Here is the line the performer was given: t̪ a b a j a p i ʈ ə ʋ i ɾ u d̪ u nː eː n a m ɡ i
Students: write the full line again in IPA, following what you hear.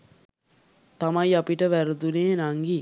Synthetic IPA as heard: t̪ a m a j a p i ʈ ə ʋ æ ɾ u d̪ u n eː n a ŋ ɡ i